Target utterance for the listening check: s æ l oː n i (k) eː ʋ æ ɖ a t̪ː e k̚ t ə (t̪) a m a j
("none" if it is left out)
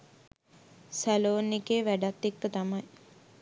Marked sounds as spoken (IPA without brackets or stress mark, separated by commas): k, t̪